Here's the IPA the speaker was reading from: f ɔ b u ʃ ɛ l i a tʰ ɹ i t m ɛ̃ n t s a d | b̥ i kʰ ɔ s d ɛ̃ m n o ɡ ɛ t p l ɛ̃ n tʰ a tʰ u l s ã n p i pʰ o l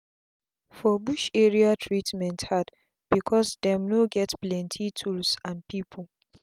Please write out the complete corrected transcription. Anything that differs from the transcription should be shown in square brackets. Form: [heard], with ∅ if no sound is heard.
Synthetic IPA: f ɔ b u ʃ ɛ [ɹ] i a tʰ ɹ i t m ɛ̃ n t [h] a d | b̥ i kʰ ɔ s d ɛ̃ m n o ɡ ɛ t p l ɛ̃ n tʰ [i] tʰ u l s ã n p i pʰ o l